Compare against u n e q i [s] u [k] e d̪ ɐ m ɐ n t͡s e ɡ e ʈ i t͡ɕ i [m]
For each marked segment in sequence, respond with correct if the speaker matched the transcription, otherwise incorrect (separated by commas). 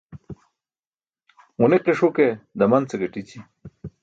incorrect, correct, incorrect